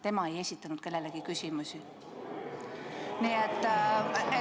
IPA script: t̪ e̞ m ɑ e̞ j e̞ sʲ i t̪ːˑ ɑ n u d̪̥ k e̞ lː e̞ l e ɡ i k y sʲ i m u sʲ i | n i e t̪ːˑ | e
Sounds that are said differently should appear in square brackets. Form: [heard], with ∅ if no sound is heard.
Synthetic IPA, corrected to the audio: t̪ e̞ m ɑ e̞ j e̞ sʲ i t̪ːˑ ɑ n u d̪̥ k e̞ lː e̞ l e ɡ i k y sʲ i m u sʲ i | n i e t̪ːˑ | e